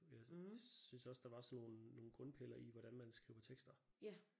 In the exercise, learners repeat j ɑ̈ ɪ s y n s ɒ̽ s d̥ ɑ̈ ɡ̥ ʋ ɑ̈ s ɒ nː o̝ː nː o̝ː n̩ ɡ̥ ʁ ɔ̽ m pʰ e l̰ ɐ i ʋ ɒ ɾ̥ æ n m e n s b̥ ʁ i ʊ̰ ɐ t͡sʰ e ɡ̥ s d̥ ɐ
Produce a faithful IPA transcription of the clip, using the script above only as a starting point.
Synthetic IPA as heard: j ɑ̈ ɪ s y n s ɒ̽ s d̥ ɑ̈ ʋ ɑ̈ s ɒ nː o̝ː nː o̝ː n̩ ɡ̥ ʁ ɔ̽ n pʰ e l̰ ɐ i ʋ ɒ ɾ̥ æ n m æ n s ɡ̥ ʁ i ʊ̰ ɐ t͡sʰ e ɡ̥ s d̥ ɐ